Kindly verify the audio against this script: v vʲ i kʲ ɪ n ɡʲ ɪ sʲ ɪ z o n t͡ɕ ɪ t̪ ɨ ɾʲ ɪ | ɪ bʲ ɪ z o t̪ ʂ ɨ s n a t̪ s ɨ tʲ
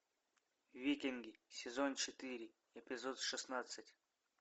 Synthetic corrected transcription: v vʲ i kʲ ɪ n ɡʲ ɪ sʲ ɪ z o n t͡ɕ ɪ t̪ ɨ ɾʲ ɪ | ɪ pʲ ɪ z o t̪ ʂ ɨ s n a t̪ s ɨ tʲ